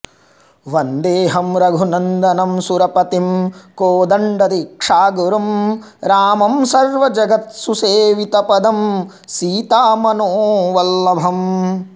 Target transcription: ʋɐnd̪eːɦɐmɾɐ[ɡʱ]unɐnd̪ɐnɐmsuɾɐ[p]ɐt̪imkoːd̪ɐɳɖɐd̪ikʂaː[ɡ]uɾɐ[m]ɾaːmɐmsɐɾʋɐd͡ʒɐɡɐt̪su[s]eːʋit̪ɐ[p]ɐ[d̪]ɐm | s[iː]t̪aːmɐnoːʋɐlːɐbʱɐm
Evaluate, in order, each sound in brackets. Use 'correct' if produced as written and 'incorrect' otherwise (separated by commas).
correct, correct, correct, correct, correct, correct, correct, correct